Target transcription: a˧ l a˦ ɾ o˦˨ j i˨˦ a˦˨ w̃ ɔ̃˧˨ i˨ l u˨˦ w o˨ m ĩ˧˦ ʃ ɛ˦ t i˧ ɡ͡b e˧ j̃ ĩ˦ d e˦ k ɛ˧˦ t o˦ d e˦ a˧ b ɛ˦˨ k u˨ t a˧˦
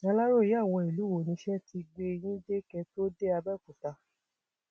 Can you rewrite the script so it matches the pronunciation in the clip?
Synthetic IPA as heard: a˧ l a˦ ɾ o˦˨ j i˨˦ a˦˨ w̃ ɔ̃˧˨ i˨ l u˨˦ w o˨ n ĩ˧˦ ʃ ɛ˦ t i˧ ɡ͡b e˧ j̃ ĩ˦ d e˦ k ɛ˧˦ t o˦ d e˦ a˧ b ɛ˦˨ k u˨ t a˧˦

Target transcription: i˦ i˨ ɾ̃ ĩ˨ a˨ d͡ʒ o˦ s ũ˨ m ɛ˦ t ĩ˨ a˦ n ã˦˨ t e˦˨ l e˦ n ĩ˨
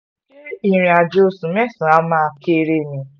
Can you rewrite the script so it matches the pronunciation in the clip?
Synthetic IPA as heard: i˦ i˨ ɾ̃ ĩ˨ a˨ d͡ʒ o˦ s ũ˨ m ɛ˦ s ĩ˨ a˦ m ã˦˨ k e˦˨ ɾ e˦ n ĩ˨

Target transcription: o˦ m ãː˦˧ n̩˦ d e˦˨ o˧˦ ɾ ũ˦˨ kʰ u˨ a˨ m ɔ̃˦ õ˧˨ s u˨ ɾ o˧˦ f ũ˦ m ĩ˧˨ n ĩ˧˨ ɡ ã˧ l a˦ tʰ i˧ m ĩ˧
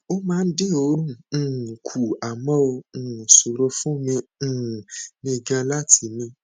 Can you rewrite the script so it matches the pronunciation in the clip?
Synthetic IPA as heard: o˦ m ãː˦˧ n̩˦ d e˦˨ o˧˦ ɾ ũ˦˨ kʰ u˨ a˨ m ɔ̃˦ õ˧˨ s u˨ ɾ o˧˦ f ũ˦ m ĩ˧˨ n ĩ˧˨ ɡ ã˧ l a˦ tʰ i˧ m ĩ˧

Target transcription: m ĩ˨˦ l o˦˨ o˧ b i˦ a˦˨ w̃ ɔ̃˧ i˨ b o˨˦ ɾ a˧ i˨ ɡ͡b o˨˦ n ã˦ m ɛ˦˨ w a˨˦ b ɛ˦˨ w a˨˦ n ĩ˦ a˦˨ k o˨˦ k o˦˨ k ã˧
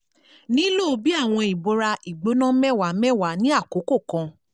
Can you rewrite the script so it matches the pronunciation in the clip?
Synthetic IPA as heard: n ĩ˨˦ l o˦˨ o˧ b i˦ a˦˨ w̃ ɔ̃˧ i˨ b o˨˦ ɾ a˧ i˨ ɡ͡b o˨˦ n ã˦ m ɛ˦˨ w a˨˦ m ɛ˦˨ w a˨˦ n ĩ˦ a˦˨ k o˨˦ k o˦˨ k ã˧

